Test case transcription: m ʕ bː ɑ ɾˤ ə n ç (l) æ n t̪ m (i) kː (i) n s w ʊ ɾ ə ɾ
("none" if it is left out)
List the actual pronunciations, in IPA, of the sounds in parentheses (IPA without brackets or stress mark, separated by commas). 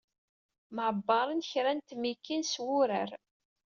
ɾ, i, i